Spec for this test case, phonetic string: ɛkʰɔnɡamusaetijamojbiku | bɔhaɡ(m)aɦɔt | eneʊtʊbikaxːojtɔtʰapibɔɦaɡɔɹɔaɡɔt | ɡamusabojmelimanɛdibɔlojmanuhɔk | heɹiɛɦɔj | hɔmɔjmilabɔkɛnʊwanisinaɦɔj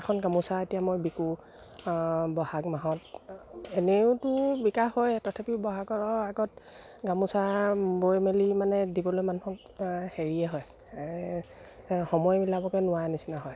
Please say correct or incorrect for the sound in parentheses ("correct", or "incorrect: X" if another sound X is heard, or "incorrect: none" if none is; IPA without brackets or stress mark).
correct